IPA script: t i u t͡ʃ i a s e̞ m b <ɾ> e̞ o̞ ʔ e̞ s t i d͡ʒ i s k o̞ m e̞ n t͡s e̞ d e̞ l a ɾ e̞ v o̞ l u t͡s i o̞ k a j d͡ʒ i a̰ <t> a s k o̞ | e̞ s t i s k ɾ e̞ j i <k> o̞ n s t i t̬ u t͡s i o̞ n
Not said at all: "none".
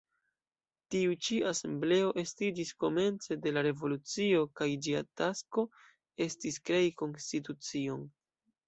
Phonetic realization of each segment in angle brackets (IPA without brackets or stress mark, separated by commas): l, t, k